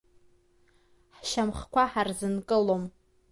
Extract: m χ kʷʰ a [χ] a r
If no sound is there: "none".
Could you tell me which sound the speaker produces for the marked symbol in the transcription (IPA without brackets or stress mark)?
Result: ħ